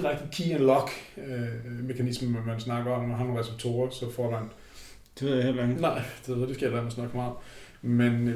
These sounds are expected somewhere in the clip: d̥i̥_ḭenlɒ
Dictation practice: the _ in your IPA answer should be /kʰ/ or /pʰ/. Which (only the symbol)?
kʰ